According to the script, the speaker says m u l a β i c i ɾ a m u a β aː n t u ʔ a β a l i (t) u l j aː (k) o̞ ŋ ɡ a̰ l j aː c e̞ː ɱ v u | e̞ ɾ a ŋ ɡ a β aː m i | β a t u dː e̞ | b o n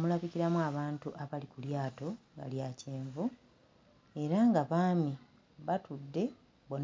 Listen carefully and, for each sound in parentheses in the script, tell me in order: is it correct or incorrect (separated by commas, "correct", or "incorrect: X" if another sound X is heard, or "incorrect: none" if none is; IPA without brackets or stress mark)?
incorrect: k, incorrect: t